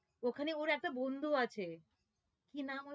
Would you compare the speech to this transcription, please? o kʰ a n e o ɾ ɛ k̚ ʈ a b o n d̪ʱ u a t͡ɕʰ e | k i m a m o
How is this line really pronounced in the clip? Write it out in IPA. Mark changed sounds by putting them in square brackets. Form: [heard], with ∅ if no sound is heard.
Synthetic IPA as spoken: o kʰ a n e o ɾ ɛ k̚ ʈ a b o n d̪ʱ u a t͡ɕʰ e | k i [n] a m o